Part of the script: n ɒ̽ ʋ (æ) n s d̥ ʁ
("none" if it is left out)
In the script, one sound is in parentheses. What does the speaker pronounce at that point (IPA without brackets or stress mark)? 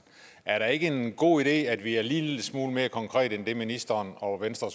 e